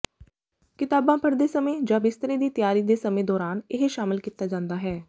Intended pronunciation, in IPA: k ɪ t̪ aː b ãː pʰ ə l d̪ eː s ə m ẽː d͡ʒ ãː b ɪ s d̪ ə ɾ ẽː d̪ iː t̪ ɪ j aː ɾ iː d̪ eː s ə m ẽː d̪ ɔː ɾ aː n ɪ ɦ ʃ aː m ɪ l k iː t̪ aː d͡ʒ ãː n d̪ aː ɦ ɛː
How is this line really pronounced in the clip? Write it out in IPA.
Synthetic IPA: k ɪ t̪ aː b ãː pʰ ə ɾ d̪ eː s ə m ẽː d͡ʒ ãː b ɪ s t̪ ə ɾ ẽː d̪ iː t̪ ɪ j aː ɾ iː d̪ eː s ə m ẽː d̪ ɔː ɾ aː n ɪ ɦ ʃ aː m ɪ l k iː t̪ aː d͡ʒ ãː n d̪ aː ɦ ɛː